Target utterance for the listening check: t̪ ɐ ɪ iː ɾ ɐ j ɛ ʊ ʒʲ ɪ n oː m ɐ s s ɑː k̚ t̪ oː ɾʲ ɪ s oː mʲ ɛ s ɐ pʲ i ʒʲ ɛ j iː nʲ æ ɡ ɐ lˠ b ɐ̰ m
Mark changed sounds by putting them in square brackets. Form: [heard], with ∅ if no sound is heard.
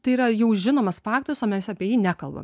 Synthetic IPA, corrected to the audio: t̪ ɐ ɪ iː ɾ ɐ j ɛ ʊ ʒʲ ɪ n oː m ɐ s [f] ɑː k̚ t̪ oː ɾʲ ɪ s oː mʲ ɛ s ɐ pʲ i [∅] ɛ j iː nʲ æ [k] ɐ lˠ b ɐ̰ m